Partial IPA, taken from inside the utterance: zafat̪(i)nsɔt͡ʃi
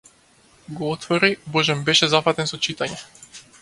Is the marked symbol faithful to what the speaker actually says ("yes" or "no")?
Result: no